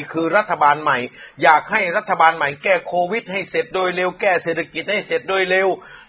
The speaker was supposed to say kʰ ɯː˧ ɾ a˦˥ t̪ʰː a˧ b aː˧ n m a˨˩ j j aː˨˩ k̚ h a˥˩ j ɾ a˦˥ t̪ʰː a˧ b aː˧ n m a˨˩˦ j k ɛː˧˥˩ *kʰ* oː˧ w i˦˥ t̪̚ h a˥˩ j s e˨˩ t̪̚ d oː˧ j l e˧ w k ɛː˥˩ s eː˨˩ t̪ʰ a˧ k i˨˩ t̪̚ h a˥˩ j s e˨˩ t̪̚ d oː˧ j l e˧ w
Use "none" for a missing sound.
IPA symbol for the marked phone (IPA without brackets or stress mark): kʰ